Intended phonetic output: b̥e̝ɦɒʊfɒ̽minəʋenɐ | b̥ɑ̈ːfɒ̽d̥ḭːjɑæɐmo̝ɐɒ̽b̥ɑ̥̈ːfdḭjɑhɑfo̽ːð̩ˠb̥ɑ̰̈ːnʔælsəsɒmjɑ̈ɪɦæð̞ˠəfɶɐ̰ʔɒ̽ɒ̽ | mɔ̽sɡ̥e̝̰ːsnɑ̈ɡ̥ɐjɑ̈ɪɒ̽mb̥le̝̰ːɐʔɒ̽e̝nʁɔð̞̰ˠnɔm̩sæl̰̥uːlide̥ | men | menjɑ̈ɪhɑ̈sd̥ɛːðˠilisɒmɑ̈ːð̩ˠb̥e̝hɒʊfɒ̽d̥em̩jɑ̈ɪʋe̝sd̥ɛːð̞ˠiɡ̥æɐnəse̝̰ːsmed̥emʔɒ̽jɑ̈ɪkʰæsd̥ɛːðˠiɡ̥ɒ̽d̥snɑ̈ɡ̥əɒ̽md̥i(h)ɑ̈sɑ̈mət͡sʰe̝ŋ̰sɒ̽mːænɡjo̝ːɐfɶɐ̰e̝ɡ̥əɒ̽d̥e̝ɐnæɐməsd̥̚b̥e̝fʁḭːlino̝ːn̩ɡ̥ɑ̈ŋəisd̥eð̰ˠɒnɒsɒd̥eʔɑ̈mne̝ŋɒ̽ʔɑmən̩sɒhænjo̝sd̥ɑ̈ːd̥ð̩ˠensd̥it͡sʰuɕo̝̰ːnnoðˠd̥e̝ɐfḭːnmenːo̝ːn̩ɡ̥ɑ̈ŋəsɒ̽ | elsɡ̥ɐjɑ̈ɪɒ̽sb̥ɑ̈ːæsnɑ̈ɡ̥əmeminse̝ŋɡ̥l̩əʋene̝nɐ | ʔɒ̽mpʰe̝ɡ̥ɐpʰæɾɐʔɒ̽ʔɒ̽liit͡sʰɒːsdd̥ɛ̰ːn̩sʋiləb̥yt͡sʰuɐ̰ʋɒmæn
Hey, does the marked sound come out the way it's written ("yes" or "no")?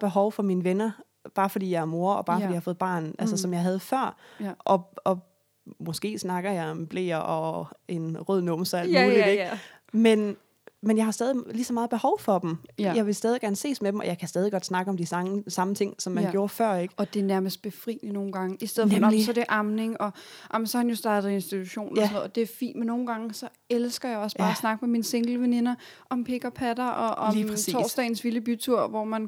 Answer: no